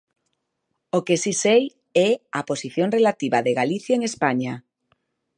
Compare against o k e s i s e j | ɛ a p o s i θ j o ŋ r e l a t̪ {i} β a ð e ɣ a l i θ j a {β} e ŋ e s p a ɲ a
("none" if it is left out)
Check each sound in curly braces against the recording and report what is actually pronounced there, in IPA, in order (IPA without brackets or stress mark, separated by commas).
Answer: i, none